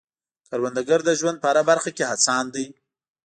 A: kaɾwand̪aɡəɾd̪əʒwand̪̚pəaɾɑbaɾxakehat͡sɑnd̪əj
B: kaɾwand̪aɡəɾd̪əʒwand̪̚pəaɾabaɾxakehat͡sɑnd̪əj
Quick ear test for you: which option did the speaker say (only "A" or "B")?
B